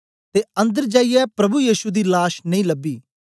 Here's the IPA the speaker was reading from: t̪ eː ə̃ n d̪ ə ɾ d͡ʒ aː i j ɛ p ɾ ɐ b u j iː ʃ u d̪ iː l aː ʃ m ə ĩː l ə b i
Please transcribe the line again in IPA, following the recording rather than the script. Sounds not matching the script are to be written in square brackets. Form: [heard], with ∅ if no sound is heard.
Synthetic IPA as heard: t̪ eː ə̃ n d̪ ə ɾ d͡ʒ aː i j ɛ p ɾ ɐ b u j iː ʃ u d̪ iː l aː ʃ [n] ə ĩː l ə b [iː]